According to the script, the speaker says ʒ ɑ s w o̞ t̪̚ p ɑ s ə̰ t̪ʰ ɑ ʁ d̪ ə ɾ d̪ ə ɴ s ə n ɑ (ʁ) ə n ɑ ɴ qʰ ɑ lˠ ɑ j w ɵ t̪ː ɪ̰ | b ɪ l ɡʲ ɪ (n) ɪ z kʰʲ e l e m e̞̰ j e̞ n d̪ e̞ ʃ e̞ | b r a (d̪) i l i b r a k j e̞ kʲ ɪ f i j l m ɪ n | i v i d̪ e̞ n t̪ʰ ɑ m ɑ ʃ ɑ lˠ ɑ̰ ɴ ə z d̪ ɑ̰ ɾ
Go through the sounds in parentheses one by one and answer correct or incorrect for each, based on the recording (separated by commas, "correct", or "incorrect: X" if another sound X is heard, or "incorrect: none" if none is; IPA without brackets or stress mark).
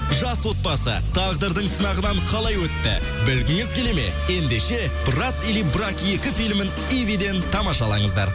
correct, incorrect: ŋ, incorrect: t̪